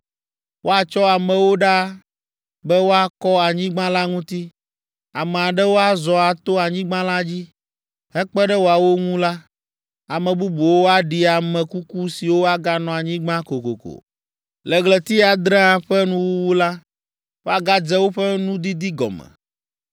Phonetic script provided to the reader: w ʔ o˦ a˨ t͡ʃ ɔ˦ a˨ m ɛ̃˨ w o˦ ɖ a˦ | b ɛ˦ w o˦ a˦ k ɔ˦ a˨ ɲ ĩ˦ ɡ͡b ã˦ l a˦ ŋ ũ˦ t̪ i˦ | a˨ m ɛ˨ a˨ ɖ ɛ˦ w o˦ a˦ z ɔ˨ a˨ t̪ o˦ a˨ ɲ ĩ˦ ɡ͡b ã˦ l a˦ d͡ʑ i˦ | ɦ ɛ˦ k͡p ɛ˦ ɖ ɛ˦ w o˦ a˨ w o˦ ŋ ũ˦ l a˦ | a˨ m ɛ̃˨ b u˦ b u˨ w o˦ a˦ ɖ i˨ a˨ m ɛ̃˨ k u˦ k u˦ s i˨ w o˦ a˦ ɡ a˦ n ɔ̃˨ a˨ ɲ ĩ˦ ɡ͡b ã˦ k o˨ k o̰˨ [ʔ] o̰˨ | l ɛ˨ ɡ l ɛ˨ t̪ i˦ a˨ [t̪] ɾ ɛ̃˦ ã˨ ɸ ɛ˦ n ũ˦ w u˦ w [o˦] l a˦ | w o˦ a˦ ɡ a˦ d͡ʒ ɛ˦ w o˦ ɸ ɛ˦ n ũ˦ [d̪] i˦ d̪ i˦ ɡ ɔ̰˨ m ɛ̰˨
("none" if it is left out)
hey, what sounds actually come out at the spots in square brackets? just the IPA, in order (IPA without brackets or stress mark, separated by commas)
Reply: k, d̪, u˦, d̪